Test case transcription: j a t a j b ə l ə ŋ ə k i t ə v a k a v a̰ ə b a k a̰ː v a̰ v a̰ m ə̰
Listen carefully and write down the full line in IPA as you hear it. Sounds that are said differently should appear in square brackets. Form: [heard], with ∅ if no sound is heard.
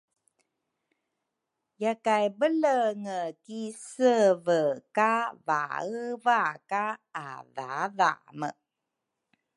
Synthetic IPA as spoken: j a [k] a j b ə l ə ŋ ə k i [s] ə v [ə] k a v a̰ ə [v] a k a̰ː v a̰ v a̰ m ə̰